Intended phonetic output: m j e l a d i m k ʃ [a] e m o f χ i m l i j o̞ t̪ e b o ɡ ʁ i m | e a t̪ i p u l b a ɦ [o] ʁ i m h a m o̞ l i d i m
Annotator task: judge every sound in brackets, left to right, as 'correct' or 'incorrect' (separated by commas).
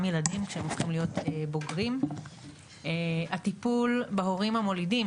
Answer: incorrect, correct